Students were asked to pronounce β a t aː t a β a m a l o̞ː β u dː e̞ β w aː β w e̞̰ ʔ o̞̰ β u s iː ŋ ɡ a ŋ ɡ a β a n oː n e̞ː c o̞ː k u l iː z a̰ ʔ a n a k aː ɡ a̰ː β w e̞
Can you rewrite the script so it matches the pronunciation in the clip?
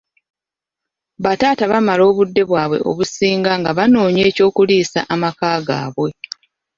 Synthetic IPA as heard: β a t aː t a β a m a l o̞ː β u dː e̞ β w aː β w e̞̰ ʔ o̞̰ β u s iː ŋ ɡ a ŋ ɡ a β a n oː ɲ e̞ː c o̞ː k u l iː s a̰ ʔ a m a k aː ɡ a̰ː β w e̞